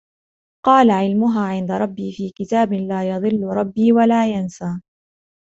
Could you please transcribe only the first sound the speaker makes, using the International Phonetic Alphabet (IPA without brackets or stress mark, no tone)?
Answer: q